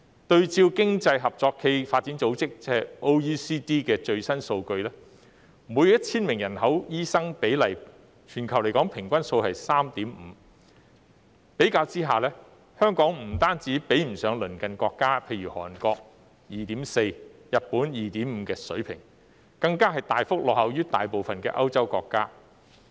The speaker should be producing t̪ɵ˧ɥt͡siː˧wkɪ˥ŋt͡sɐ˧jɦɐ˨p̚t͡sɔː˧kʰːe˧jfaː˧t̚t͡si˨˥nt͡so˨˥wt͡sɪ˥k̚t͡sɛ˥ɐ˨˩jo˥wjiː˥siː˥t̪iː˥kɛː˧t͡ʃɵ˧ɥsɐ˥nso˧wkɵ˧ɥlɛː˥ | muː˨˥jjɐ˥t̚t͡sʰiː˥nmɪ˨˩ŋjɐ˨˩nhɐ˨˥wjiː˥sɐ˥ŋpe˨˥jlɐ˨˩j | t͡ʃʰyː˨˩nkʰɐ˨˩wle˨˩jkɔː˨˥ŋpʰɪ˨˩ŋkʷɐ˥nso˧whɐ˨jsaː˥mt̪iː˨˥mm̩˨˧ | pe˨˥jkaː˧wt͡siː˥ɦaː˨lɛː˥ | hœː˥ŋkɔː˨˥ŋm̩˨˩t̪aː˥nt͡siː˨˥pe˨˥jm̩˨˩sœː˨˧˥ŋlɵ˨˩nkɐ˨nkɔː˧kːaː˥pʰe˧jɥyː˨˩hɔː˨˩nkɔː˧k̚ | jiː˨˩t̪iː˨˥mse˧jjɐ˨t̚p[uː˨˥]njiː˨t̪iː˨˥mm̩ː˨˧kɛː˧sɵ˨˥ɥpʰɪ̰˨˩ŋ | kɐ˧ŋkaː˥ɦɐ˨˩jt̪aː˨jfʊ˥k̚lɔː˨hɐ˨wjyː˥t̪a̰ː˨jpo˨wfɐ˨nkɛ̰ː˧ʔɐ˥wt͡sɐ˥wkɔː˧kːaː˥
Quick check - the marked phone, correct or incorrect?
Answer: correct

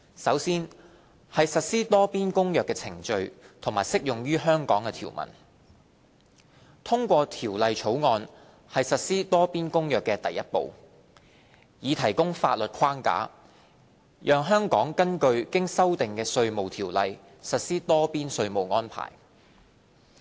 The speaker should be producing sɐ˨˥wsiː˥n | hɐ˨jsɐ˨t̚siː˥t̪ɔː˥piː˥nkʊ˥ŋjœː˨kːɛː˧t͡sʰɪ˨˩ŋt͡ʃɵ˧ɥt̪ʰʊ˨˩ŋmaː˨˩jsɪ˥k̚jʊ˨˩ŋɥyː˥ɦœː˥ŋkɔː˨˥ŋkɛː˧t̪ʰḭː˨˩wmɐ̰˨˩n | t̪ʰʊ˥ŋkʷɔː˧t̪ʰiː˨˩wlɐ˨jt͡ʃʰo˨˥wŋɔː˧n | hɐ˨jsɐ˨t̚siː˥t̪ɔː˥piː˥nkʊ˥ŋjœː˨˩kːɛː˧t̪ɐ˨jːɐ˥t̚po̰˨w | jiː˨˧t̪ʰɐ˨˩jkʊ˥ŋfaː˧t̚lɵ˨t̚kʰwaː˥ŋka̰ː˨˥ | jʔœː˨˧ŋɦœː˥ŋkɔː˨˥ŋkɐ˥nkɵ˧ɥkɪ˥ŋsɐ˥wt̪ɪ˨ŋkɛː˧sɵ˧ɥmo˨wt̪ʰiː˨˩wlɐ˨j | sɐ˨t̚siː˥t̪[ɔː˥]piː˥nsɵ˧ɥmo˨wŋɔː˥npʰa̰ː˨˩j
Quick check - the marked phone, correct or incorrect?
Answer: correct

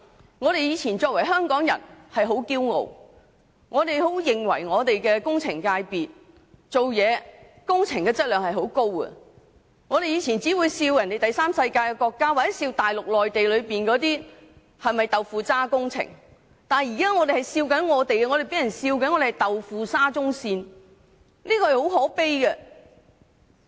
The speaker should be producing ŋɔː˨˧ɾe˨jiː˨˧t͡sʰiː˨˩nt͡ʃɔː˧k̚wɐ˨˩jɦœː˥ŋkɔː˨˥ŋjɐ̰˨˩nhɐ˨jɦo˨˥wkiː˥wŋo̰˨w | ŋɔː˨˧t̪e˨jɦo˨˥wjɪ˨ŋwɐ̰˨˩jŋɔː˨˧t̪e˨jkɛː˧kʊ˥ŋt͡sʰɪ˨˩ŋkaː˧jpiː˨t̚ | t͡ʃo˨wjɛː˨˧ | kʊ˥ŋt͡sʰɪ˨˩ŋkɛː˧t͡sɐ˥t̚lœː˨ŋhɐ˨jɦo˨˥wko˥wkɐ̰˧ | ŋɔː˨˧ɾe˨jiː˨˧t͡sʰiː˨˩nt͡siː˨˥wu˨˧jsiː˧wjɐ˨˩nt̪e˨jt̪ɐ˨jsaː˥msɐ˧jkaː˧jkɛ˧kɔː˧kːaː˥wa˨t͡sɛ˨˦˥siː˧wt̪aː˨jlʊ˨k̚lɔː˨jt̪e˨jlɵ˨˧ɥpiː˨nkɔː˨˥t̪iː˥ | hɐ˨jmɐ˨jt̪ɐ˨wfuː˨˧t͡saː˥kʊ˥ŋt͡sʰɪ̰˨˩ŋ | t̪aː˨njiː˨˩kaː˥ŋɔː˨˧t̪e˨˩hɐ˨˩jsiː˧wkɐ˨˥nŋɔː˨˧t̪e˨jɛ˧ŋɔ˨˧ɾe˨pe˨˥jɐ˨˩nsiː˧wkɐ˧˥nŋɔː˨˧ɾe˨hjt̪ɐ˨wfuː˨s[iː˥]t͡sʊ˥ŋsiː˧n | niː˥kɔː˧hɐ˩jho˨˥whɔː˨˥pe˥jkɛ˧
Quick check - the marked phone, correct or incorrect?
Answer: incorrect: aː˥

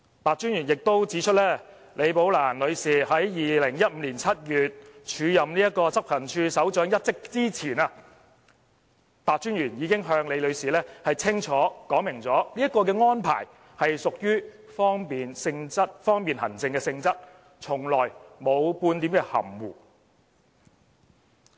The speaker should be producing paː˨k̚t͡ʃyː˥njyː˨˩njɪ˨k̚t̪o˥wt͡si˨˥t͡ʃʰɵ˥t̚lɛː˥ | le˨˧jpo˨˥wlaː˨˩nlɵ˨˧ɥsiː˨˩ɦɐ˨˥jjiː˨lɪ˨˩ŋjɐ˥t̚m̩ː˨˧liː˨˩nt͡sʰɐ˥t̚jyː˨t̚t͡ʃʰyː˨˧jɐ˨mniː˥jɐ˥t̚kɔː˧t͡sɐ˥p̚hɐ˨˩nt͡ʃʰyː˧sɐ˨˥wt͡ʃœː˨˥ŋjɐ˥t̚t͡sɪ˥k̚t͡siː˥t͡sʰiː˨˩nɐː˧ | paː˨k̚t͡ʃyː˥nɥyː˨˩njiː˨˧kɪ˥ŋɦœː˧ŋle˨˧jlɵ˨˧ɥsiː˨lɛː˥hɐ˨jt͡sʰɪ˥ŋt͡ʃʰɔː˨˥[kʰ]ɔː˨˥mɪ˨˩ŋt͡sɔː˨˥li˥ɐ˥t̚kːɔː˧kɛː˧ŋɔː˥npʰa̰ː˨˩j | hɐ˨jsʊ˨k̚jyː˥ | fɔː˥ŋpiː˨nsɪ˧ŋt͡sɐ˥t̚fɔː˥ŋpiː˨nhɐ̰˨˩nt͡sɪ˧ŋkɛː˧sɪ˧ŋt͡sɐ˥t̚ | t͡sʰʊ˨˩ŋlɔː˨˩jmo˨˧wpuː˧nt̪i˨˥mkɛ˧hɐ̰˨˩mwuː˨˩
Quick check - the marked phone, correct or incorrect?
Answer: incorrect: k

